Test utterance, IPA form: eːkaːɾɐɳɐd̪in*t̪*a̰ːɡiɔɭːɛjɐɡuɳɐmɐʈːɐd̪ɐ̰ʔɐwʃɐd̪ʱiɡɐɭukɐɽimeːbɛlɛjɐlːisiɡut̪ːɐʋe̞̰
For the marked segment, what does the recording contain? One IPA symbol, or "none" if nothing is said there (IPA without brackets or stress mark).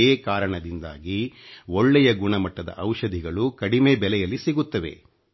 d̪